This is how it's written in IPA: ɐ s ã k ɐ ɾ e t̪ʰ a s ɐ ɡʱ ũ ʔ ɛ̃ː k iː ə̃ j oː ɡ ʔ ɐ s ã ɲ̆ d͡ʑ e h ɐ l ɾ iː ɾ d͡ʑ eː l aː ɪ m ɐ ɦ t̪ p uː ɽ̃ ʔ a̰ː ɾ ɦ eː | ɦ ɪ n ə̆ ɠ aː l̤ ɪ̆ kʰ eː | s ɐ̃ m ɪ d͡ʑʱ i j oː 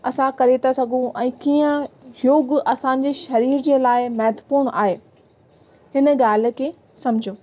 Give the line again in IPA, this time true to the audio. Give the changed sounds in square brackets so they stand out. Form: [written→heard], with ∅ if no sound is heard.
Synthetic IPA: ɐ s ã k ɐ ɾ e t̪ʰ a s ɐ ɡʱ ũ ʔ ɛ̃ː k iː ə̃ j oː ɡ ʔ ɐ s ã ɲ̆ d͡ʑ e [h→ʃ] ɐ [l→∅] ɾ iː ɾ d͡ʑ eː l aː ɪ m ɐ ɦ t̪ p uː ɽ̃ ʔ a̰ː [ɾ→∅] ɦ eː | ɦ ɪ n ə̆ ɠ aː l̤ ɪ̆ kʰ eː | s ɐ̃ m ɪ d͡ʑʱ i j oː